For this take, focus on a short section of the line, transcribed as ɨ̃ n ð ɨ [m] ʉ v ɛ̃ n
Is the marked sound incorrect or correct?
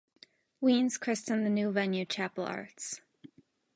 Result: incorrect